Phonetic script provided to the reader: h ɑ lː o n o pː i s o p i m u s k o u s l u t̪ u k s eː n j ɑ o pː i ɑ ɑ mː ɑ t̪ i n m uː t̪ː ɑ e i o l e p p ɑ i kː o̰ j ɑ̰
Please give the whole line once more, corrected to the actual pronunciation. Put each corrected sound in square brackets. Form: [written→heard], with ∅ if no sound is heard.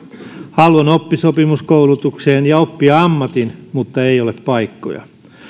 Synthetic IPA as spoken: h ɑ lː o n o pː i s o p i m u s k o u [s→∅] l u t̪ u k s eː n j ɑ o pː i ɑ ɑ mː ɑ t̪ i n m [uː→u] t̪ː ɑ e i o l e p p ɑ i kː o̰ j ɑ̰